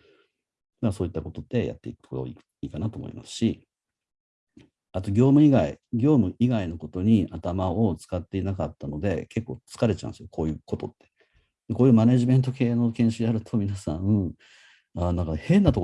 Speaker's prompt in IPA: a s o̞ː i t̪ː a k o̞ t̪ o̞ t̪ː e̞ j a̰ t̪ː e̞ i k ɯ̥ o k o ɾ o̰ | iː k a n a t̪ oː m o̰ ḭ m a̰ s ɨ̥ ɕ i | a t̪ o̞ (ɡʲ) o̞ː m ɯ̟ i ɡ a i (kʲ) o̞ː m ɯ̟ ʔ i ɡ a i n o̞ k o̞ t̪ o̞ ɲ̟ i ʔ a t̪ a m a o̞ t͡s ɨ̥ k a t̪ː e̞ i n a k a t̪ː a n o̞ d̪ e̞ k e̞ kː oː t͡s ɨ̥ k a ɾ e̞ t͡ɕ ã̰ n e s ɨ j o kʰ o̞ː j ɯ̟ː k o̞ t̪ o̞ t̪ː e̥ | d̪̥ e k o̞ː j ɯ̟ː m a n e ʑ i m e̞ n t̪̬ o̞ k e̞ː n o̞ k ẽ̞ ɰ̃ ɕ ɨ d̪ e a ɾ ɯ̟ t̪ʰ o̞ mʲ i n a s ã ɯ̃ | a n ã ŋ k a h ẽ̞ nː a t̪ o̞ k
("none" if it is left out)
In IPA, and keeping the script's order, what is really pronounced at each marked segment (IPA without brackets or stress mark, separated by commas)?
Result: ɡʲ, ɡʲ